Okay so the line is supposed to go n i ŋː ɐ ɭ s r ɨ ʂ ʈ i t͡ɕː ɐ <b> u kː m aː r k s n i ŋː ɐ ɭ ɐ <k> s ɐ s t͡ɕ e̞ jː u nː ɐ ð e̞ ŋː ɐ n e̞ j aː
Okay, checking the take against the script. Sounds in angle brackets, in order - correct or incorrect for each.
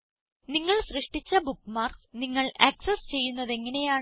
correct, correct

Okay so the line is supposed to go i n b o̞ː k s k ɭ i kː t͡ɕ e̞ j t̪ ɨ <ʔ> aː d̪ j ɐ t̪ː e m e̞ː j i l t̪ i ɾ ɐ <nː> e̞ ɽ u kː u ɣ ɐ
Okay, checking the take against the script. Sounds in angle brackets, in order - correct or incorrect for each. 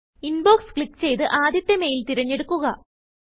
correct, incorrect: ɲː

